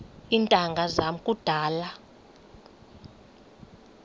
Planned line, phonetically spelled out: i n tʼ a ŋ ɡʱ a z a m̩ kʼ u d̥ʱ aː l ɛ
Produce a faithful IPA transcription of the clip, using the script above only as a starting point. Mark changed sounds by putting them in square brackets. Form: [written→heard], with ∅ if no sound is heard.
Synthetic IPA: i n tʼ a ŋ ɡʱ a z a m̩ kʼ u d̥ʱ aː l [ɛ→a]